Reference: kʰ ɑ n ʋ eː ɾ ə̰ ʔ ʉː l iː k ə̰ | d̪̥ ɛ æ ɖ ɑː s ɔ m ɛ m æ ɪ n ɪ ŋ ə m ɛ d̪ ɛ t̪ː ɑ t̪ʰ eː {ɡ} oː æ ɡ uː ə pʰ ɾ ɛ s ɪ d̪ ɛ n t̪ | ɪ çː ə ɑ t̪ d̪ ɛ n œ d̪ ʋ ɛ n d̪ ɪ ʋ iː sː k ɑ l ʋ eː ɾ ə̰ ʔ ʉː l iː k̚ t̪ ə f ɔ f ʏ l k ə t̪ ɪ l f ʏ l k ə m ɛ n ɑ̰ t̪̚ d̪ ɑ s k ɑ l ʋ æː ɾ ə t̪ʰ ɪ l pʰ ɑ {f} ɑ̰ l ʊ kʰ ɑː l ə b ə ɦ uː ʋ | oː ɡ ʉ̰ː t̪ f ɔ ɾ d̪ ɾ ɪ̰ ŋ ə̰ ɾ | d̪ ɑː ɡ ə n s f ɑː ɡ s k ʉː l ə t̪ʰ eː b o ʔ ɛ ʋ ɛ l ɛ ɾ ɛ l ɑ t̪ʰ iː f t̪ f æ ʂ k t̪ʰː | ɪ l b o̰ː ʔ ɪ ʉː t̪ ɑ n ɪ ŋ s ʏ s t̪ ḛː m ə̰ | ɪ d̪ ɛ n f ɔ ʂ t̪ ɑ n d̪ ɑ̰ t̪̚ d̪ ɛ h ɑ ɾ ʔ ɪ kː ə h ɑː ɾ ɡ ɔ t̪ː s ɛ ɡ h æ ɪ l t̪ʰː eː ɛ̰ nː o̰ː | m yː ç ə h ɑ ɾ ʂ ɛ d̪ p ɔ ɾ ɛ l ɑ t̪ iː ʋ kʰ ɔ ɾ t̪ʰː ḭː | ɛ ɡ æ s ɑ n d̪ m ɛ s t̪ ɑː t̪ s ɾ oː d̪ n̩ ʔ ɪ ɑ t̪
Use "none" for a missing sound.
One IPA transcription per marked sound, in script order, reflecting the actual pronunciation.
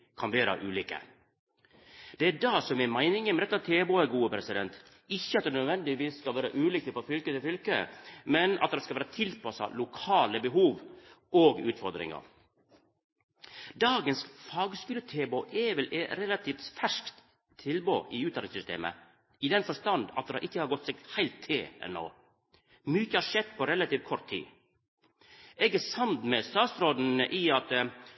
b, s

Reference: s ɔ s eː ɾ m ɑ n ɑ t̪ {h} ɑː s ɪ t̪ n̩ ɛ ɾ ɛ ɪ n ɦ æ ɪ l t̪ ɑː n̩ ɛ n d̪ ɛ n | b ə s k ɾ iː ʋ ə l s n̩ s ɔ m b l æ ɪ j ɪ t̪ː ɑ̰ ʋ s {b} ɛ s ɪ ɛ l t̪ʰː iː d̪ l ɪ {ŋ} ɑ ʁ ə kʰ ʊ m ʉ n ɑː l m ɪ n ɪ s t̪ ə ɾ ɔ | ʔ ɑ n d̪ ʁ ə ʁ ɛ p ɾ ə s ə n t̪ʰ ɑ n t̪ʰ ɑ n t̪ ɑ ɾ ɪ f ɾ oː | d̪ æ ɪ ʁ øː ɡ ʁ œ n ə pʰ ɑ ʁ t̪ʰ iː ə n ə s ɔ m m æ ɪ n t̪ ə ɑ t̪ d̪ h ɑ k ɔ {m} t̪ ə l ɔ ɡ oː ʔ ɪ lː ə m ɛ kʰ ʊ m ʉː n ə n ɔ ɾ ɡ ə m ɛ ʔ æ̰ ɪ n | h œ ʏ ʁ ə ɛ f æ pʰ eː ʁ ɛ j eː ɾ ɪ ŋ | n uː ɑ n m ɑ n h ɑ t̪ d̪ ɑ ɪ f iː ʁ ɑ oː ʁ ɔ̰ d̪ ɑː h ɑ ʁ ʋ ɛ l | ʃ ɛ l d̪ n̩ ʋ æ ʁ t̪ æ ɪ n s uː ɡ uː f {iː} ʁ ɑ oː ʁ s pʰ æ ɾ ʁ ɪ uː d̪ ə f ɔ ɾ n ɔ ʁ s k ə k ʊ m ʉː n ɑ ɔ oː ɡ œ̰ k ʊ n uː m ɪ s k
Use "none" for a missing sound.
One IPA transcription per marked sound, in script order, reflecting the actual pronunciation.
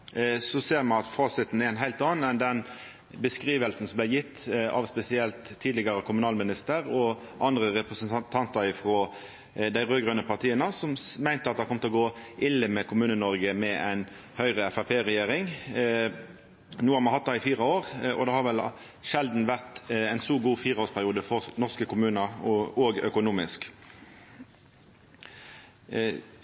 f, p, ɡ, m, iː

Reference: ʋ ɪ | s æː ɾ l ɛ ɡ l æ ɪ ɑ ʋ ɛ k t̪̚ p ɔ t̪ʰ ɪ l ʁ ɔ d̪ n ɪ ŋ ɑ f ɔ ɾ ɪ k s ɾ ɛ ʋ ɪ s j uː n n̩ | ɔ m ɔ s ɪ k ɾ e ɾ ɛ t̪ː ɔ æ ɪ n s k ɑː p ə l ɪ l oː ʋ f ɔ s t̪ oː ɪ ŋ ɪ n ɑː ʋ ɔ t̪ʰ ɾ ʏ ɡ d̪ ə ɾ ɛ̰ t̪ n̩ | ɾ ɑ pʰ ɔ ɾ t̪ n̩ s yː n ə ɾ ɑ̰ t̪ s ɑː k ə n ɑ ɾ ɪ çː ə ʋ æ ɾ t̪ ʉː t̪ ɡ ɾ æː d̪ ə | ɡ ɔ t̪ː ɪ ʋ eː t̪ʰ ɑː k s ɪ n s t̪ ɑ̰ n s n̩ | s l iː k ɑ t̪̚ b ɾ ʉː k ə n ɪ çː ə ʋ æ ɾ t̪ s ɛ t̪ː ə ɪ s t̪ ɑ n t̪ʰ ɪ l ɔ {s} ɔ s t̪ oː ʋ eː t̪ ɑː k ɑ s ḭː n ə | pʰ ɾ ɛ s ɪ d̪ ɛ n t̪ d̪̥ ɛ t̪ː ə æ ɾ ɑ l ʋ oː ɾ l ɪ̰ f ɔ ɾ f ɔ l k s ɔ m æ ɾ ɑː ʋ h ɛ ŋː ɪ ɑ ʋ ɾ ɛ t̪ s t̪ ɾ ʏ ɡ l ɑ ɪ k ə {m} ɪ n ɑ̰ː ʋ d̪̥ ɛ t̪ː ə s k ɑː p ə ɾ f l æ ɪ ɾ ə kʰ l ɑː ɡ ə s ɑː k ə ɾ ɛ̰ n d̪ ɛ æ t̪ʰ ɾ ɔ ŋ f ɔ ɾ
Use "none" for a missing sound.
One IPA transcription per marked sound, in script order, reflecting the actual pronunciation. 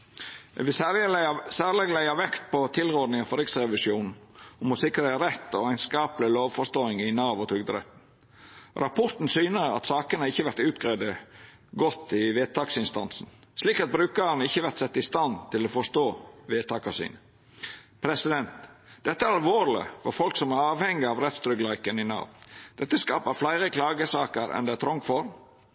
f, n

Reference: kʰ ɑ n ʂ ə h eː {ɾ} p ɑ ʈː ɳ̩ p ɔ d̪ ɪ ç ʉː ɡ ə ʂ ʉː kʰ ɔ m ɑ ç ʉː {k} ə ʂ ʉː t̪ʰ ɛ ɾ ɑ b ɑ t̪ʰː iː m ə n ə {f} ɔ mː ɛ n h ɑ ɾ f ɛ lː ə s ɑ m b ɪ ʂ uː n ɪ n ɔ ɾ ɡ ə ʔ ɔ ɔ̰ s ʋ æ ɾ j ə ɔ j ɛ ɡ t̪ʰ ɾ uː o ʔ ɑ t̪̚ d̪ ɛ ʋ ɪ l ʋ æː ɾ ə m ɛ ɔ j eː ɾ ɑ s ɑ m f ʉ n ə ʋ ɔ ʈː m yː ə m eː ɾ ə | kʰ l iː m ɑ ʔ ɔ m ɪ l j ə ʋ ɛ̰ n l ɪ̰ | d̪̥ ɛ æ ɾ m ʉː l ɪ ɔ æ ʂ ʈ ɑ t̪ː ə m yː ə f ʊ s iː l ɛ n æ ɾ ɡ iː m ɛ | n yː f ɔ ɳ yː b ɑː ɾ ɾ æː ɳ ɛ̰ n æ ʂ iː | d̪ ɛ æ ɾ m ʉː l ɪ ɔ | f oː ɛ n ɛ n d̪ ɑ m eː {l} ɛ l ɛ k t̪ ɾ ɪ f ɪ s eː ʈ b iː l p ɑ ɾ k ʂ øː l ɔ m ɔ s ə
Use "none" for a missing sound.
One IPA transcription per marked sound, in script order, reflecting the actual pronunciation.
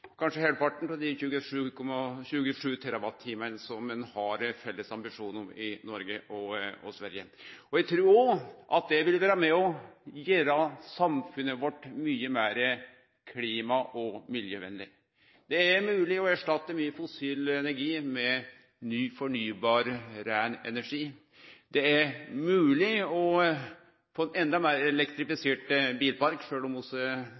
l, ɡ, s, ɾ

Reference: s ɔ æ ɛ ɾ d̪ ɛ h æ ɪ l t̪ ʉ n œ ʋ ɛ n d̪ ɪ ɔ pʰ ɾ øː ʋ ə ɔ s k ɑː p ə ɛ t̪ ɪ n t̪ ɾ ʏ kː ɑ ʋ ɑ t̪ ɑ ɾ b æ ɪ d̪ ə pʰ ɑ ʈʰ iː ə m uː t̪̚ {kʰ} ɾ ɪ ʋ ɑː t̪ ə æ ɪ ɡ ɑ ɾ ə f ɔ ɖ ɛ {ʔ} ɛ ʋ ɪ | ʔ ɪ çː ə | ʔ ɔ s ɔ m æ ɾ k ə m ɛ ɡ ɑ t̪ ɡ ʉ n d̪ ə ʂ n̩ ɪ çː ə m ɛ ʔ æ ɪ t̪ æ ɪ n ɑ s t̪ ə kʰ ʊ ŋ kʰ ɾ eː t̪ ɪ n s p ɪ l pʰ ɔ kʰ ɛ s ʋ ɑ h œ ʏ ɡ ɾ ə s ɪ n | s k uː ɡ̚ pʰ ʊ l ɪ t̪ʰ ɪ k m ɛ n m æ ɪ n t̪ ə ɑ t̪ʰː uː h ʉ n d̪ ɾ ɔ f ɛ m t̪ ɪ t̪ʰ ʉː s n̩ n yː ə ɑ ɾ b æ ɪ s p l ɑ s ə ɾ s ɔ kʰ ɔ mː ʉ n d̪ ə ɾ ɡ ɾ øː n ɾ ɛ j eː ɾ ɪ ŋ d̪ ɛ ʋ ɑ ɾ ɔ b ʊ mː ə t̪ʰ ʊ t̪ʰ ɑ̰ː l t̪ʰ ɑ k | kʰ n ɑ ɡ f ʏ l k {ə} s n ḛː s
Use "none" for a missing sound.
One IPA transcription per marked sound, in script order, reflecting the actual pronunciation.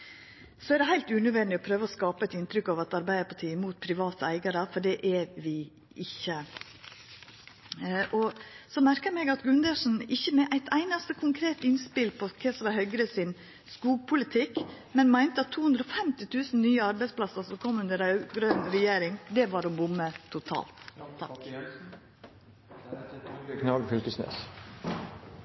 pʰ, ʔ, ə

